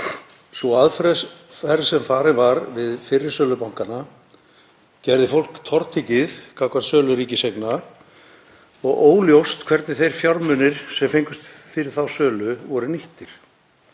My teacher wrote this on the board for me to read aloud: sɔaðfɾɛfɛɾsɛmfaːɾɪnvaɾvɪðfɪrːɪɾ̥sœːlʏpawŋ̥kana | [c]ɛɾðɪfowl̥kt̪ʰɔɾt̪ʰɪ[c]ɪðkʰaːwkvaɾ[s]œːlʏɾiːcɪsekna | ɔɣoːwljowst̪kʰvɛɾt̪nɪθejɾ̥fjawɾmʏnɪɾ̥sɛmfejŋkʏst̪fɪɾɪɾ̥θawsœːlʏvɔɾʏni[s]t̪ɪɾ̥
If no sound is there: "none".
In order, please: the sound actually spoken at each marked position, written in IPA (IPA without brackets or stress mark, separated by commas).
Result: c, c, s, h